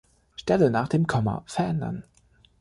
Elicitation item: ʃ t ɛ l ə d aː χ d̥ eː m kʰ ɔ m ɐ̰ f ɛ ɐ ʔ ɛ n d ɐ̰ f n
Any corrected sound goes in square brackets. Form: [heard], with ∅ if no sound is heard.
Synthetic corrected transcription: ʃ t ɛ l ə [n] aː χ d̥ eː m kʰ ɔ m ɐ̰ f ɛ ɐ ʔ ɛ n d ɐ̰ [∅] n